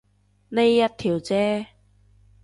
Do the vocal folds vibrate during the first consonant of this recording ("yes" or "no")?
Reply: yes